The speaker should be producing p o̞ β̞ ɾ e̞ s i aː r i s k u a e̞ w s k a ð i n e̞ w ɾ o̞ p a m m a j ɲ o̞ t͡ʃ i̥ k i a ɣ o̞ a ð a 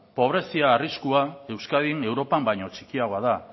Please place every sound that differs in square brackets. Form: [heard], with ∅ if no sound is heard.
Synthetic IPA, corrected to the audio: p o̞ β̞ ɾ e̞ s i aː r i s k u a e̞ w s k a ð i n e̞ w ɾ o̞ p a m [b] a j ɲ o̞ t͡ʃ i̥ k i a ɣ o̞ a ð a

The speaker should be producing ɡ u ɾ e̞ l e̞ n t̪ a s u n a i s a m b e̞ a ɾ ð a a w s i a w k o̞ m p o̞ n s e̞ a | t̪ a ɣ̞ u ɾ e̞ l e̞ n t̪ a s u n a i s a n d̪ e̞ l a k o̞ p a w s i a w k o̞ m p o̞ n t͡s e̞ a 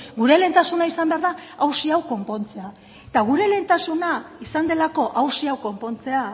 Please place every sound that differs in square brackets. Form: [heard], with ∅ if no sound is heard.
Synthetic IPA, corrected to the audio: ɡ u ɾ e̞ l e̞ n t̪ a s u n a i s a m b e̞ a ɾ ð a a w s i a w k o̞ m p o̞ n [t͡s] e̞ a | t̪ a ɣ̞ u ɾ e̞ l e̞ n t̪ a s u n a i s a n d̪ e̞ l a k o̞ [ʔ] a w s i a w k o̞ m p o̞ n t͡s e̞ a

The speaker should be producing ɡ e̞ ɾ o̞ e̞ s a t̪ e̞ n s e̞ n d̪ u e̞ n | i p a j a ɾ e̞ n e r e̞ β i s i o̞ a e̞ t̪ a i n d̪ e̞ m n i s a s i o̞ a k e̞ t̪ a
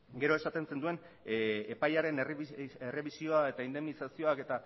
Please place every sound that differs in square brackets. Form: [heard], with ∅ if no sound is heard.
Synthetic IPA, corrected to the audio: ɡ e̞ ɾ o̞ e̞ s a t̪ e̞ n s e̞ n d̪ u e̞ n | [e] p a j a ɾ e̞ n e r e̞ β i s i o̞ a e̞ t̪ a i n d̪ e̞ m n i s a s i o̞ a k e̞ t̪ a

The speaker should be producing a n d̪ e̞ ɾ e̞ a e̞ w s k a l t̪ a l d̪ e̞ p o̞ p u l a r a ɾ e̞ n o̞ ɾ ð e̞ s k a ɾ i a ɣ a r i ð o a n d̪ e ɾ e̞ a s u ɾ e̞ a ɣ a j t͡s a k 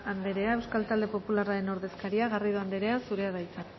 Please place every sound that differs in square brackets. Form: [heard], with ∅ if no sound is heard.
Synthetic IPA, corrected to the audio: a n d̪ e̞ ɾ e̞ a e̞ w s k a l t̪ a l d̪ e̞ p o̞ p u l a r a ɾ e̞ n o̞ ɾ ð e̞ s k a ɾ i a ɣ a r i ð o a n d̪ e ɾ e̞ a s u ɾ e̞ a [ð] a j t͡s a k

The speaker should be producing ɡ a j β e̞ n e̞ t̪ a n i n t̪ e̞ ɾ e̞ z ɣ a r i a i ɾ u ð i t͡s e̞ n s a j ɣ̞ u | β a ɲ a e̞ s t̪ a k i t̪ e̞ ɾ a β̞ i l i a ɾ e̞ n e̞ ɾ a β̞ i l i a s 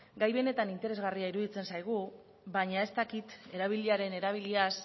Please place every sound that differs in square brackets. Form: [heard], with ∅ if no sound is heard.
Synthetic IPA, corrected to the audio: ɡ a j β e̞ n e̞ t̪ a n i n t̪ e̞ ɾ e̞ z ɣ a r i a i ɾ u ð i t͡s e̞ n s a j ɣ̞ u | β a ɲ a e̞ s t̪ a k i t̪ e̞ ɾ a β̞ i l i a ɾ e̞ n e̞ ɾ a β̞ i l i a s

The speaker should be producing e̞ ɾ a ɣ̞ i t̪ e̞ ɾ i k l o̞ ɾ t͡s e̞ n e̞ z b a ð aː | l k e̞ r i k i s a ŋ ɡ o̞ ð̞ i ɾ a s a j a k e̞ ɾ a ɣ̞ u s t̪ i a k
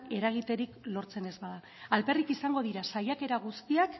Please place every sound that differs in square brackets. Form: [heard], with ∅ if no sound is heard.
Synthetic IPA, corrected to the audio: e̞ ɾ a ɣ̞ i t̪ e̞ ɾ i k l o̞ ɾ t͡s e̞ n e̞ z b a ð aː | l [p] e̞ r i k i s a ŋ ɡ o̞ ð̞ i ɾ a s a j a k e̞ ɾ a ɣ̞ u s t̪ i a k

